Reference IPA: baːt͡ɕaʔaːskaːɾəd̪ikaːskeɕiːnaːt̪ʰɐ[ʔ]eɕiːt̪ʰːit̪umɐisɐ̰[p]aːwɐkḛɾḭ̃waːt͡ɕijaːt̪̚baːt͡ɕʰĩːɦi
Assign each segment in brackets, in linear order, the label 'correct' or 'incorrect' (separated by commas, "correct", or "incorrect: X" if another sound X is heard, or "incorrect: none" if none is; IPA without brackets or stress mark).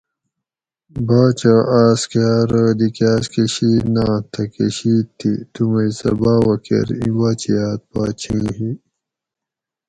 incorrect: k, incorrect: b